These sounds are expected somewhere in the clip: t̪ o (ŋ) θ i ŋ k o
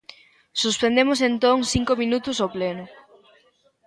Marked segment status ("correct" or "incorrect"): correct